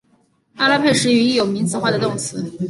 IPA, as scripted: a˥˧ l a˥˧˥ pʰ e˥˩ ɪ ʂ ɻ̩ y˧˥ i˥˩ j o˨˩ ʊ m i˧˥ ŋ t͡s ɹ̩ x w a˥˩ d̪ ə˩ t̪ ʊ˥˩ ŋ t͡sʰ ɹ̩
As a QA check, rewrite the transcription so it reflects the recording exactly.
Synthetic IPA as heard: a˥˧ l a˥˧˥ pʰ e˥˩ ɪ ʂ ɻ̩ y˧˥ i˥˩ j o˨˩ ʊ m i˧˥ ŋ t͡s ɹ̩ x w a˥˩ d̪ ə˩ t̪ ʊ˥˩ ŋ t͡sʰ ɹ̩